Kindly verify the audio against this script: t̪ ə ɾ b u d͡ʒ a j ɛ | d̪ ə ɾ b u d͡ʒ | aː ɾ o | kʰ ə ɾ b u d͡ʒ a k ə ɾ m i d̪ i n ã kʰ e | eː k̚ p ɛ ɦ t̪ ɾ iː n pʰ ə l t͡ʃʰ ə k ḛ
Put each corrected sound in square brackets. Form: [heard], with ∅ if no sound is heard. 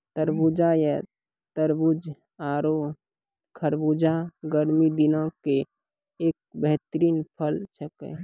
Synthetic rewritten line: t̪ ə ɾ b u d͡ʒ a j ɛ | [t̪] ə ɾ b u d͡ʒ | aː ɾ o | kʰ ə ɾ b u d͡ʒ a [ɡ] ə ɾ m i d̪ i n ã [k] e | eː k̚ [b] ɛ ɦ t̪ ɾ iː n pʰ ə l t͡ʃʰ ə k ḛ